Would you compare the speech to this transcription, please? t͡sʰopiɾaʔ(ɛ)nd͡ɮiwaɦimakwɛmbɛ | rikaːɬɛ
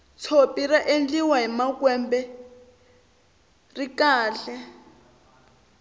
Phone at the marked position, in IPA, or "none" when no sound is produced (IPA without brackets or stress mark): e